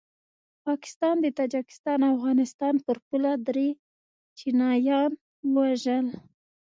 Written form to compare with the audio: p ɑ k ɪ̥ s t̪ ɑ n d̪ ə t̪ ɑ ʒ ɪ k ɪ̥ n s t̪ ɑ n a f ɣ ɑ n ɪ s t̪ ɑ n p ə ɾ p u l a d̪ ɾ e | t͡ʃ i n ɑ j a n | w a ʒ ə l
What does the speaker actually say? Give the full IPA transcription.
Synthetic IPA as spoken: p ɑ k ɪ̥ s t̪ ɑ n d̪ ə t̪ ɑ d͡ʒ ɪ k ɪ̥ s t̪ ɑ n a f ɣ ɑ n ɪ s t̪ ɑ n p ə ɾ p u l a d̪ ɾ e | t͡ʃ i n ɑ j ɑ n | w a ʒ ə l